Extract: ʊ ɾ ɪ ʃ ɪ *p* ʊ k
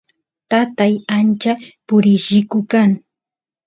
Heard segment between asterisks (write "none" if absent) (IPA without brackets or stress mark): k